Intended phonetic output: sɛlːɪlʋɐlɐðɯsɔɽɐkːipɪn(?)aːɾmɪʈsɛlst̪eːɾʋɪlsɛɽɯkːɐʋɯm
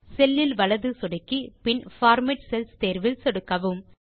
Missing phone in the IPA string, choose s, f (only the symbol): f